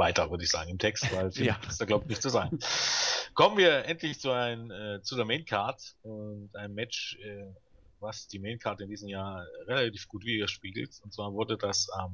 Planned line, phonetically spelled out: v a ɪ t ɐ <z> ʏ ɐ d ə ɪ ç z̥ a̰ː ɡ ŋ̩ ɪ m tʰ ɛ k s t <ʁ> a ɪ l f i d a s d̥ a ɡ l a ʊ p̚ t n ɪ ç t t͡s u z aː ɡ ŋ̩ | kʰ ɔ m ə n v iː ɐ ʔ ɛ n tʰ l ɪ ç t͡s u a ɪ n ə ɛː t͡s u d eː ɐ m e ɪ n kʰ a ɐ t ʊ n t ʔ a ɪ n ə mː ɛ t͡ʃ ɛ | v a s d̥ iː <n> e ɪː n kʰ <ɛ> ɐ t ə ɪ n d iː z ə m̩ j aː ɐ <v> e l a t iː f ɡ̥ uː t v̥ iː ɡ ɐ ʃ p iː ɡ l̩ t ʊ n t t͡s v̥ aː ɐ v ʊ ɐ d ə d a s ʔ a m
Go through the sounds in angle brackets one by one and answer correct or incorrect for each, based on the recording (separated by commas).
incorrect, incorrect, incorrect, incorrect, incorrect